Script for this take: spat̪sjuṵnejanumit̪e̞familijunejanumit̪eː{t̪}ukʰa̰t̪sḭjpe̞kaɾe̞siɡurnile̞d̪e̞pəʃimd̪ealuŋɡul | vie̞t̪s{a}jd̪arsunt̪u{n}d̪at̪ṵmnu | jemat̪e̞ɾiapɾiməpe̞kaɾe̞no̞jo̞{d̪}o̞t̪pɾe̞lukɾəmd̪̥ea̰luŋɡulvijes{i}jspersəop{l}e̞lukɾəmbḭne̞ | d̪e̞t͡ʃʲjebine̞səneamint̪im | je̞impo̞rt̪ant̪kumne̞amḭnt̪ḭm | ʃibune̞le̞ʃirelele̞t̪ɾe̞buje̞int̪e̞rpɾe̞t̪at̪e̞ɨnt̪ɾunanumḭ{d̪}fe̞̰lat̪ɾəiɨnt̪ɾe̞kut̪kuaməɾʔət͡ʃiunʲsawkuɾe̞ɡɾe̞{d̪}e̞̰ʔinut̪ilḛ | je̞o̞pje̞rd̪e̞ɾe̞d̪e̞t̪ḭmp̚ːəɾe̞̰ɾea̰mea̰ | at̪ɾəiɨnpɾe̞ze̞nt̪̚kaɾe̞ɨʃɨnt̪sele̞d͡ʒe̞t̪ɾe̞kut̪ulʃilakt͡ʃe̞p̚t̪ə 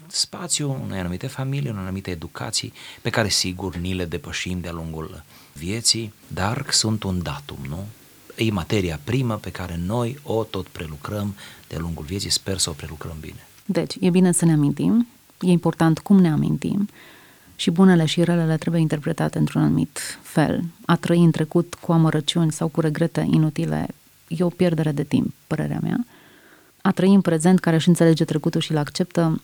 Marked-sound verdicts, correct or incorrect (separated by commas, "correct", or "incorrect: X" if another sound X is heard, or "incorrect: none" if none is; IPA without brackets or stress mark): incorrect: d̪, incorrect: i, correct, incorrect: t̪, correct, incorrect: ɾ, incorrect: t̪, incorrect: t̪